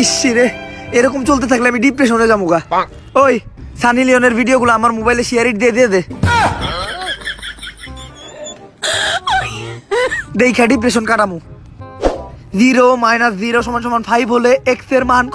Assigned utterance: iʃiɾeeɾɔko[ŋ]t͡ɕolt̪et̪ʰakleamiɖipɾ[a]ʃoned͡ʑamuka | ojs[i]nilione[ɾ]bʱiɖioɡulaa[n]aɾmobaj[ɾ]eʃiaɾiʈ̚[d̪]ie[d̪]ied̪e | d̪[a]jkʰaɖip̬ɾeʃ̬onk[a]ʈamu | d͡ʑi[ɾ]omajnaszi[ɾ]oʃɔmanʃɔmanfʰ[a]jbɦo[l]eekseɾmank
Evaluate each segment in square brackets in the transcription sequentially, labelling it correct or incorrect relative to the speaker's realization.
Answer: incorrect: m, incorrect: e, incorrect: a, correct, incorrect: m, incorrect: l, correct, correct, incorrect: e, correct, correct, correct, correct, correct

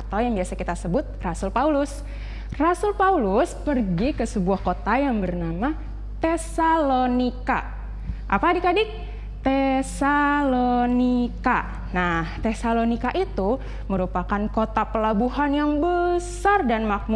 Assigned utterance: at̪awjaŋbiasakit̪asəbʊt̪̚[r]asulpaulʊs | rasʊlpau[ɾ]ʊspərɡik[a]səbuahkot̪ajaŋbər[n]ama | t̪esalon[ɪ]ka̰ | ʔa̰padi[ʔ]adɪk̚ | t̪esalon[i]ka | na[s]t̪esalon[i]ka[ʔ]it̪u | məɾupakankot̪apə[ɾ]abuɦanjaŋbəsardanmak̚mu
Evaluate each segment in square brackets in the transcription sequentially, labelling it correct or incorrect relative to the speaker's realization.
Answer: correct, incorrect: l, incorrect: ə, correct, incorrect: i, incorrect: k, correct, incorrect: h, correct, correct, incorrect: l

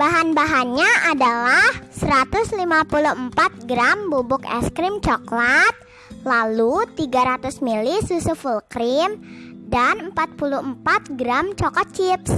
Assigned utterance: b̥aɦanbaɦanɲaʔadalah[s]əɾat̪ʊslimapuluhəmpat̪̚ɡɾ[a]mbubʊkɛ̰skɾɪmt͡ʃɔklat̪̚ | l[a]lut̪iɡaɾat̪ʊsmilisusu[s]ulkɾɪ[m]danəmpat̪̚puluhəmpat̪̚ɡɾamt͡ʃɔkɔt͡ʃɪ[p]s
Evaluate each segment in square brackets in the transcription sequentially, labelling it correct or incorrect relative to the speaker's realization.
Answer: correct, correct, correct, incorrect: f, correct, correct

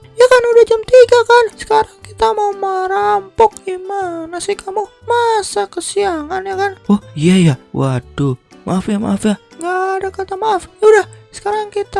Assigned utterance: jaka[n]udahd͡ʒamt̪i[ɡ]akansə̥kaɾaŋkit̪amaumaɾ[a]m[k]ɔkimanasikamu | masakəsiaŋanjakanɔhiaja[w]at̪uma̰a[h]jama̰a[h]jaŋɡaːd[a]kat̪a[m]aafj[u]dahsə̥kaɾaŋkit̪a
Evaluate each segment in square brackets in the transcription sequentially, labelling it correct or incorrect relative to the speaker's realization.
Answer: correct, correct, correct, incorrect: p, correct, incorrect: f, incorrect: f, correct, correct, correct

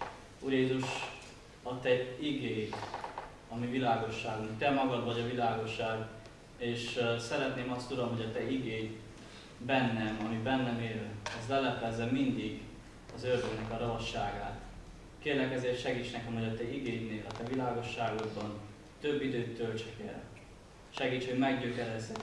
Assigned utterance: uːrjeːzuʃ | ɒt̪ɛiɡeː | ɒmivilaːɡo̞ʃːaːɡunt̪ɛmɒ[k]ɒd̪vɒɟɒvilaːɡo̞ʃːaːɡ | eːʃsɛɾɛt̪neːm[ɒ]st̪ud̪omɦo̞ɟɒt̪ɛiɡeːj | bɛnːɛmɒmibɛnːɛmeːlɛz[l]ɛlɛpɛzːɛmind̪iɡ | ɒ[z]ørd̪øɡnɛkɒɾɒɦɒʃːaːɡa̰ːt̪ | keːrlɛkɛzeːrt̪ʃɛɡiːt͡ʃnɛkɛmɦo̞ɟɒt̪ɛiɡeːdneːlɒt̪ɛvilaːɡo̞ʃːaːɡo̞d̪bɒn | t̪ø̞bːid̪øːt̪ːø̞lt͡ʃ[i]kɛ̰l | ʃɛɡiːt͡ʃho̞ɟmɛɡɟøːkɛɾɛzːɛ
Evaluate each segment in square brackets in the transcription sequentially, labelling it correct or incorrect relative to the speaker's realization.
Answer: incorrect: ɡ, correct, correct, correct, incorrect: ɛ

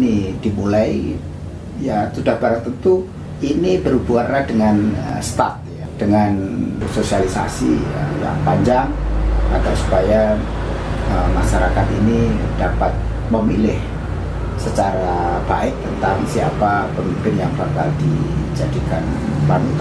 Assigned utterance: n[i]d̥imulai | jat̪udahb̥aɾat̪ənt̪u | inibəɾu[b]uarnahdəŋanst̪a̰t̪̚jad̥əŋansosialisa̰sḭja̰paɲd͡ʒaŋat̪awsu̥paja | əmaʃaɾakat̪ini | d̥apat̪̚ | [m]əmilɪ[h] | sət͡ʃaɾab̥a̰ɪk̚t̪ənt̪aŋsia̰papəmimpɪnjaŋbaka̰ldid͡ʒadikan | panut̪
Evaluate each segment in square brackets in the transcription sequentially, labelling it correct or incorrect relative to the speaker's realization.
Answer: correct, correct, correct, correct

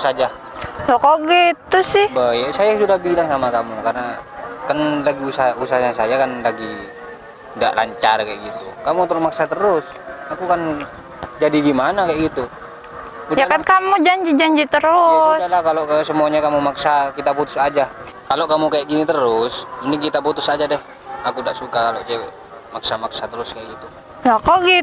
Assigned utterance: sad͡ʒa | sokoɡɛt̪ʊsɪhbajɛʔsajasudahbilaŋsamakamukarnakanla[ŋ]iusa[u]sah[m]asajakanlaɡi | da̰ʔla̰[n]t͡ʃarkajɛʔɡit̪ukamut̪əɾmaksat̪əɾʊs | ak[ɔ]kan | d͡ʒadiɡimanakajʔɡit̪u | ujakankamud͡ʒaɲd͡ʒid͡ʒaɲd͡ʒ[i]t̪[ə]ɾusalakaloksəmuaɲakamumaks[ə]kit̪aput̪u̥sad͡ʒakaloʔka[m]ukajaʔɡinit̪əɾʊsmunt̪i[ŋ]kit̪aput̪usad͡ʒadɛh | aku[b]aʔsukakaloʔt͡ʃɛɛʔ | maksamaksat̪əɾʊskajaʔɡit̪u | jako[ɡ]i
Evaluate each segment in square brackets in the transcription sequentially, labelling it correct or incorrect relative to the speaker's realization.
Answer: incorrect: ɡ, correct, incorrect: ɲ, incorrect: ɲ, incorrect: u, correct, correct, incorrect: a, correct, correct, incorrect: d, correct

